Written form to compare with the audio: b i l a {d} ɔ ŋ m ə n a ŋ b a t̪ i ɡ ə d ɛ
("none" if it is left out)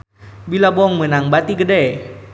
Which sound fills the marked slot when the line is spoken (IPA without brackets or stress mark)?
b